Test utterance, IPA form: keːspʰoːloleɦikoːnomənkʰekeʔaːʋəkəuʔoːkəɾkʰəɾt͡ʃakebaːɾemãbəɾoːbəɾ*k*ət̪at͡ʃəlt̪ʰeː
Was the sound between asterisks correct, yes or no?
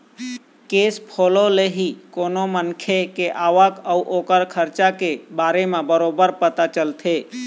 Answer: no